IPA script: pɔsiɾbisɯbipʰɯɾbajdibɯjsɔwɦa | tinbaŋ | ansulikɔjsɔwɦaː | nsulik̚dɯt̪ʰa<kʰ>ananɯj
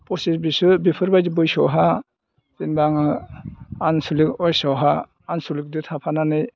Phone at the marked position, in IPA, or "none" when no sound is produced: pʰ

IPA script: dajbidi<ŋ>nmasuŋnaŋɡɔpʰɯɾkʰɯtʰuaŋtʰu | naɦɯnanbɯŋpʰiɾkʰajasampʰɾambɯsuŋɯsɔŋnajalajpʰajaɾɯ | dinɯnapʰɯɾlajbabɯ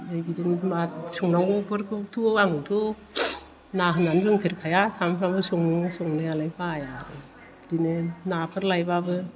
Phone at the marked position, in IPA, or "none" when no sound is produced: none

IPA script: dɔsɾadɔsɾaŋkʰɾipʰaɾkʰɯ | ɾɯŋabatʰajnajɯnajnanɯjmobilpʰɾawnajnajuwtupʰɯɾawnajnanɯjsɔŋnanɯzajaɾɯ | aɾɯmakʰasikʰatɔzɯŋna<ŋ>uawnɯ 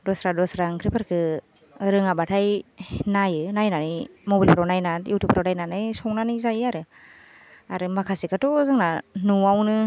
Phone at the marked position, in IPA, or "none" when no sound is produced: n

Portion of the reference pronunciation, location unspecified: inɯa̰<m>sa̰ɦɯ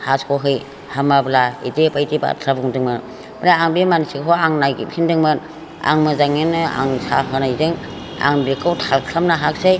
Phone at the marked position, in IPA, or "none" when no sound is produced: ŋ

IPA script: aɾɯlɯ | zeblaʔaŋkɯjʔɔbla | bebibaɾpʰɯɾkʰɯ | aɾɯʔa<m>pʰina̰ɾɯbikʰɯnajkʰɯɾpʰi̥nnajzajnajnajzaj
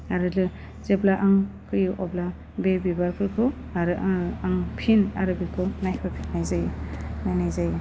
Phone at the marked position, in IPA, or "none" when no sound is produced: ŋ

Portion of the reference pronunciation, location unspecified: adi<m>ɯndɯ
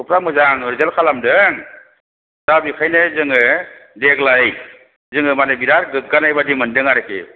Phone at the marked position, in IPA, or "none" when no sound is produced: m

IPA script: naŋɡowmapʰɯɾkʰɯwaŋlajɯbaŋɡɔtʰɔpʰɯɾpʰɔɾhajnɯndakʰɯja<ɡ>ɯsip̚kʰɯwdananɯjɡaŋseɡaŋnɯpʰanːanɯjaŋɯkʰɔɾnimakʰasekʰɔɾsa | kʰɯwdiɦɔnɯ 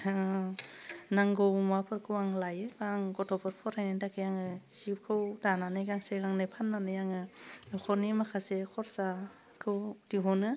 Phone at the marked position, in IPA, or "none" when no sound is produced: ŋ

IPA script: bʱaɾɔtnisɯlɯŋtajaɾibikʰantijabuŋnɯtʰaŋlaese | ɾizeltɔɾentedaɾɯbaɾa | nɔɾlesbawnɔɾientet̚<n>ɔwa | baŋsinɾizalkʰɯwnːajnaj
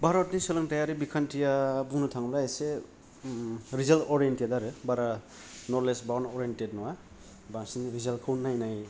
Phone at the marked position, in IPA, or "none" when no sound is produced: n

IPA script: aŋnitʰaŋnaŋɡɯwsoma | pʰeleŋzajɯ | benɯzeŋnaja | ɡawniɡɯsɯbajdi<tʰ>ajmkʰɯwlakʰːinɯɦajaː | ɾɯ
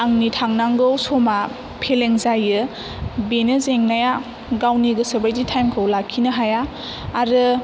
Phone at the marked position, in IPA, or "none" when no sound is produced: tʰ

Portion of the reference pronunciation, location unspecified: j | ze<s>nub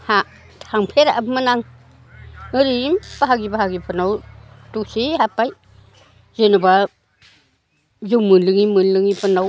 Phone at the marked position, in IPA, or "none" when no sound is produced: none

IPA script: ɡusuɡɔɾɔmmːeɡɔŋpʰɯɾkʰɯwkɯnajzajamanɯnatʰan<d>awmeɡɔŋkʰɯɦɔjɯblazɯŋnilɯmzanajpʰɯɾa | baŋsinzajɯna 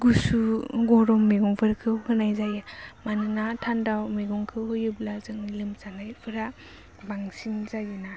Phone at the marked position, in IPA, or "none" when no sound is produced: d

